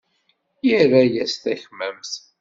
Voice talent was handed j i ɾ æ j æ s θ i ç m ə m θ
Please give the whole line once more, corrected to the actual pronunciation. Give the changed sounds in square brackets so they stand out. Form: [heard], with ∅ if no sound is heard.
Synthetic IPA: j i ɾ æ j æ s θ [æ] ç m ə m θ